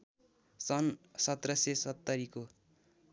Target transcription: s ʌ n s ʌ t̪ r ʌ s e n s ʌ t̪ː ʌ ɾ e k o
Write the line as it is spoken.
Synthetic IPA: s ʌ n s ʌ t̪ r ʌ s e s ʌ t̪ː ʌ ɾ i k o